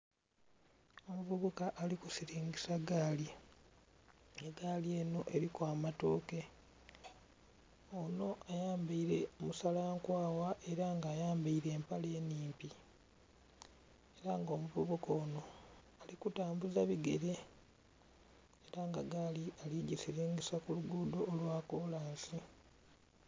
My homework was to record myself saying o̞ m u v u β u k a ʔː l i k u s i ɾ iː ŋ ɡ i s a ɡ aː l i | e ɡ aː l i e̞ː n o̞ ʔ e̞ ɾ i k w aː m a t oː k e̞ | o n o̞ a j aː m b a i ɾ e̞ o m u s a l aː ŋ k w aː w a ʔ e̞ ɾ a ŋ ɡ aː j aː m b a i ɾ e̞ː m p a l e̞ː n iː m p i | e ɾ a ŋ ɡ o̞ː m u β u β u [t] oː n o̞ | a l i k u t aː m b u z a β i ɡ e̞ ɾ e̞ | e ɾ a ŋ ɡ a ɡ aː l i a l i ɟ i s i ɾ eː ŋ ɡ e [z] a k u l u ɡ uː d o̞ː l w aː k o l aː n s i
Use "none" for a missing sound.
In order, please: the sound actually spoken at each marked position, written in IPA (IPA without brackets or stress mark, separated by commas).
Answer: k, s